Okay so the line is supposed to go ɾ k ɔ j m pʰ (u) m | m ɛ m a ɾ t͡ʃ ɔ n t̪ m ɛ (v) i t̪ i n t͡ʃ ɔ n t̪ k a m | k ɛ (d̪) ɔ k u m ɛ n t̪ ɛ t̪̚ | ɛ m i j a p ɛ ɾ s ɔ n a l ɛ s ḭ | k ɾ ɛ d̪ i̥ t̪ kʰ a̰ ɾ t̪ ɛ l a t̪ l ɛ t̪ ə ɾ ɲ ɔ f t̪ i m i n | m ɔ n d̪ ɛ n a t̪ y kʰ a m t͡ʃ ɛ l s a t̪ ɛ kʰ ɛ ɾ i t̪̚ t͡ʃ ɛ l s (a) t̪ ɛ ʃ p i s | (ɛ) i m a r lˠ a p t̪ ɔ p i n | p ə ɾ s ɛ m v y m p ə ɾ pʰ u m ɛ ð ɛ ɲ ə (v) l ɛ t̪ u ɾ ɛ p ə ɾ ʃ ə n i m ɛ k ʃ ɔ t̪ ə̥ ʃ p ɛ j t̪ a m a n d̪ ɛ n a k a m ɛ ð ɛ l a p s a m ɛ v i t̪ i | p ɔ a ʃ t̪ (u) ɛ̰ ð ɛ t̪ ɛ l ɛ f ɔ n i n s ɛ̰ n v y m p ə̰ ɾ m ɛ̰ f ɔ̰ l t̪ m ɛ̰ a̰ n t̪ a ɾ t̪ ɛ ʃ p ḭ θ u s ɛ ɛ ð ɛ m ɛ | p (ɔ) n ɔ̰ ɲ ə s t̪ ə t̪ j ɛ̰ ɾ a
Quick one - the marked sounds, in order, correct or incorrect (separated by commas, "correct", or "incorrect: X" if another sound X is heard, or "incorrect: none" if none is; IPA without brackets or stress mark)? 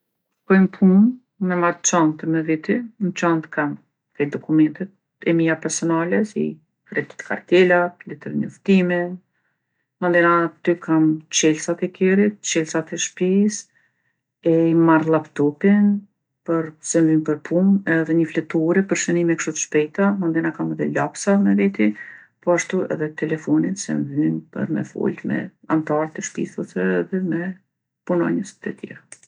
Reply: correct, correct, correct, correct, correct, incorrect: f, correct, incorrect: u